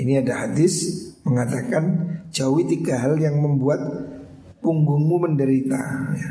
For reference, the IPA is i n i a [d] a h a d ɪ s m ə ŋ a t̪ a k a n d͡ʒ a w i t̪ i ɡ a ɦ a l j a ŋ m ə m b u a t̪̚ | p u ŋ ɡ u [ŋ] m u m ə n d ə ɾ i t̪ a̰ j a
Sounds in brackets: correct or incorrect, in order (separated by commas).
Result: correct, correct